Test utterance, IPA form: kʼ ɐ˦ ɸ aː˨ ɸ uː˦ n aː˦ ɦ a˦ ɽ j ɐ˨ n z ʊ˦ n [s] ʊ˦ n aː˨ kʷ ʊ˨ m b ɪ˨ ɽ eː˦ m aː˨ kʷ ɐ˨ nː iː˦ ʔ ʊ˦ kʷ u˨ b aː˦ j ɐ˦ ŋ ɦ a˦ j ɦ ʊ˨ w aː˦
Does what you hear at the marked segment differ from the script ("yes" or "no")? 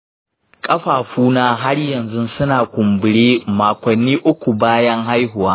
no